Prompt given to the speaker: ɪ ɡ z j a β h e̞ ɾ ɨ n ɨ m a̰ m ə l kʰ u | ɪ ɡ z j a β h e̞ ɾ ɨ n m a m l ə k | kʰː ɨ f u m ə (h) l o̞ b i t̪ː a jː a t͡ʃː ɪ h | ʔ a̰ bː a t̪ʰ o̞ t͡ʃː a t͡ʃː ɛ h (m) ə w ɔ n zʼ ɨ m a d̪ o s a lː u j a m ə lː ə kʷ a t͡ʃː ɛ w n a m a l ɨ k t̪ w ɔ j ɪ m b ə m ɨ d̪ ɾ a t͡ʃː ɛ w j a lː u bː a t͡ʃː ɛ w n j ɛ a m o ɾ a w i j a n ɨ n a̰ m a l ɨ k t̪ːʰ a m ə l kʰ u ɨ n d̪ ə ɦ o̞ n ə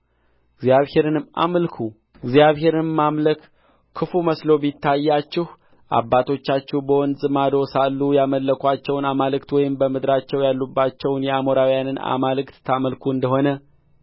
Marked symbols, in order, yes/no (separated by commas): no, no